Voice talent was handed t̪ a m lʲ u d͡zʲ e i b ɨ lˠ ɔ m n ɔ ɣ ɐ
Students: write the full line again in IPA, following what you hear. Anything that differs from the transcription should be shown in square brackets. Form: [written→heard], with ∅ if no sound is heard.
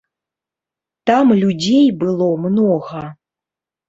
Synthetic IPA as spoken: t̪ a m lʲ u d͡zʲ e [i→j] b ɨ lˠ ɔ m n ɔ ɣ ɐ